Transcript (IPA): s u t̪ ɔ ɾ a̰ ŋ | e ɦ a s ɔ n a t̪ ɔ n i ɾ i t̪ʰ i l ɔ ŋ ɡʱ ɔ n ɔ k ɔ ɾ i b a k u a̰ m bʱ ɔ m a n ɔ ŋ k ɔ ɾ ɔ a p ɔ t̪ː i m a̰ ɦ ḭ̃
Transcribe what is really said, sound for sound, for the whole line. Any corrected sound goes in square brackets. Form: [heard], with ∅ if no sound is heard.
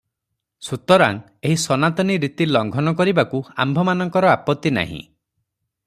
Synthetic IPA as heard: s u t̪ ɔ ɾ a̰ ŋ | e ɦ [i] s ɔ n a t̪ ɔ n i ɾ i [t̪] i l ɔ ŋ ɡʱ ɔ n ɔ k ɔ ɾ i b a k u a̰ m bʱ ɔ m a n ɔ ŋ k ɔ ɾ ɔ a p ɔ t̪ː i [n] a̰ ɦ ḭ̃